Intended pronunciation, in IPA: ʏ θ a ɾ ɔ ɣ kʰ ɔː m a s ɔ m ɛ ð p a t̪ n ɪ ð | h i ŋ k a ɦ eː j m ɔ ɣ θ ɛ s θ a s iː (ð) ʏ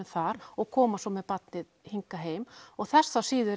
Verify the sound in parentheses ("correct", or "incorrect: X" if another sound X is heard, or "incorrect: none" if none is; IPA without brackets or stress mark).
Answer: correct